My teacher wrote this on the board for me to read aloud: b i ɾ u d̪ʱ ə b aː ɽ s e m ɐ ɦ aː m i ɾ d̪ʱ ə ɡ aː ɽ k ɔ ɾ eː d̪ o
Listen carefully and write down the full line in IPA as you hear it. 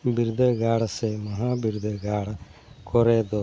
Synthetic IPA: b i ɾ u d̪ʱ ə ɡ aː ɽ s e m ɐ ɦ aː b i ɾ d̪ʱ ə ɡ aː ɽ k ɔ ɾ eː d̪ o